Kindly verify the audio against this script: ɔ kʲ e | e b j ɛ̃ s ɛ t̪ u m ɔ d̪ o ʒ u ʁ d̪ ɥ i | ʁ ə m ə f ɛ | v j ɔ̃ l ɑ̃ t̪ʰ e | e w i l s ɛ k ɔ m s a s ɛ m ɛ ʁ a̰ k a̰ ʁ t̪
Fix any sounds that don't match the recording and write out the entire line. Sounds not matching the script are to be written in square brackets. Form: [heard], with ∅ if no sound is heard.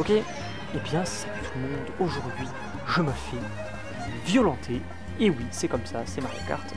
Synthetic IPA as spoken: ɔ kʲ e | e b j ɛ̃ s ɛ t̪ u m [ɔ̃] d̪ o ʒ u ʁ d̪ ɥ i | [ʒ] ə m ə f ɛ | v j [ɔ] l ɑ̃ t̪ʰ e | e w i [∅] s ɛ k ɔ m s a s ɛ m [a] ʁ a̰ k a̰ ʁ t̪